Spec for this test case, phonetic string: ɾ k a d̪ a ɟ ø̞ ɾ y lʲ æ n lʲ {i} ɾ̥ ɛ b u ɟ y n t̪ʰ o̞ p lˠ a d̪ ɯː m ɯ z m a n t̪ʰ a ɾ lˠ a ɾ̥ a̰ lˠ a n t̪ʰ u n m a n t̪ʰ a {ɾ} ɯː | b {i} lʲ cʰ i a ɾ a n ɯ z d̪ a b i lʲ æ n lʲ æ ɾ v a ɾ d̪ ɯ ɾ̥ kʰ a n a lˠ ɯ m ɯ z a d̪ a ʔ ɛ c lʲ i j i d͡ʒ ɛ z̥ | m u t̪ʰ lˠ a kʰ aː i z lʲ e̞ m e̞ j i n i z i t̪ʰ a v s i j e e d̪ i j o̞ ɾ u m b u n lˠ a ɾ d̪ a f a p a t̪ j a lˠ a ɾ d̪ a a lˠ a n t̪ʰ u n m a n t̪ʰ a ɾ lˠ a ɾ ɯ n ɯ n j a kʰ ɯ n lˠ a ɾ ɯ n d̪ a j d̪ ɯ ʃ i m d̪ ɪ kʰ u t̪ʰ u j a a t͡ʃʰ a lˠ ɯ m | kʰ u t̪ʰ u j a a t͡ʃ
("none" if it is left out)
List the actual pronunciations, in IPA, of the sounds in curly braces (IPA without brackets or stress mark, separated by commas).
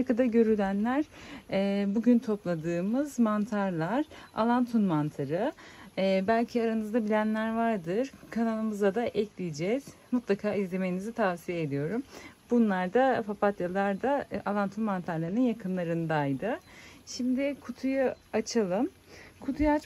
æ, ɾ, æ